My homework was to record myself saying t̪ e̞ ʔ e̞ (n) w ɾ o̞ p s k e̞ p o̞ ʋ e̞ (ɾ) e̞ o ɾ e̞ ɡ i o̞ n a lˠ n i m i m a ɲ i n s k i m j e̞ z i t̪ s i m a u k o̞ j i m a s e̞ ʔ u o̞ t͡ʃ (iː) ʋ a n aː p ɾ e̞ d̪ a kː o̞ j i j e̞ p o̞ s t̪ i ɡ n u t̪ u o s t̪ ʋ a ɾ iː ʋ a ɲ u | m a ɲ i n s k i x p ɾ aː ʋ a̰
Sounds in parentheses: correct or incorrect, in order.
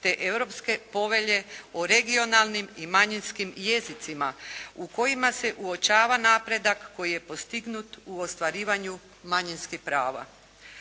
incorrect: none, incorrect: ʎ, incorrect: aː

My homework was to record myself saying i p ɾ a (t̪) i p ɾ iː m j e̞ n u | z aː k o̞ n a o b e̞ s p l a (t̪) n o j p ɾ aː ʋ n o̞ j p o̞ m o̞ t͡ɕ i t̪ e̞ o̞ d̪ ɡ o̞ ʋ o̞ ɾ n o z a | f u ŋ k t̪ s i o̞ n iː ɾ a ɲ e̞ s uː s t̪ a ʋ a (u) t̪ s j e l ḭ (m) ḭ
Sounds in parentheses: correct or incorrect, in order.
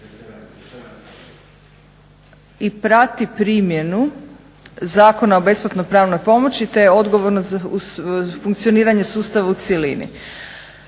correct, correct, correct, incorrect: n

